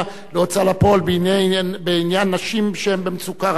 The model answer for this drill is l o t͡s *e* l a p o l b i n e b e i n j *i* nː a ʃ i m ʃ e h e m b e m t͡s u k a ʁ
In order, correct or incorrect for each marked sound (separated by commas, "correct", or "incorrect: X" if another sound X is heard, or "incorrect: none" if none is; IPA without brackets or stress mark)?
incorrect: a, incorrect: a